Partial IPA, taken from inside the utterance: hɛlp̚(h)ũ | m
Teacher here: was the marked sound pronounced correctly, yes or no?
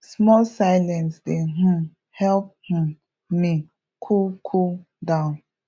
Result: yes